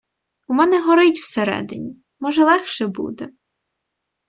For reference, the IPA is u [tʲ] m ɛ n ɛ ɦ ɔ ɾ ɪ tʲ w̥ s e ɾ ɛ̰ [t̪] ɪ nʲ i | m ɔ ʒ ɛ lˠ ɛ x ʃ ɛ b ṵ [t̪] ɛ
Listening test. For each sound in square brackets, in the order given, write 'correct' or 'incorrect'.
incorrect, incorrect, incorrect

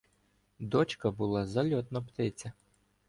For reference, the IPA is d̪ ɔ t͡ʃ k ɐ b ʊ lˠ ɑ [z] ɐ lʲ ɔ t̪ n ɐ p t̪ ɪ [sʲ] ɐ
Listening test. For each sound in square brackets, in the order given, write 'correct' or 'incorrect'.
correct, incorrect

